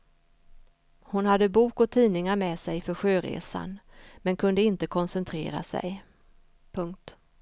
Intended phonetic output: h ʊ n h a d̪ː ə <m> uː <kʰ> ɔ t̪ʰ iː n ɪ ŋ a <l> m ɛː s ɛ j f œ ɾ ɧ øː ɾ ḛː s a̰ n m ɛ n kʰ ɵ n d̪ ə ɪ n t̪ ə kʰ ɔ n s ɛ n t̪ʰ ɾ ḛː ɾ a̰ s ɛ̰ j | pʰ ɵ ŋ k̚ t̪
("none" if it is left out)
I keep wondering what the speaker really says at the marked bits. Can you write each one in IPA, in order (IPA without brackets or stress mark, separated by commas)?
b, k, ɾ